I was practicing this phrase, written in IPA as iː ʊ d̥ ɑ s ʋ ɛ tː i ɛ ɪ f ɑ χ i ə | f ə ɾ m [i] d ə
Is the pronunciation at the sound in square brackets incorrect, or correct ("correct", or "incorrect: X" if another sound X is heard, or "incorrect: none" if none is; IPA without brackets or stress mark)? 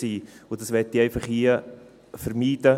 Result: incorrect: iː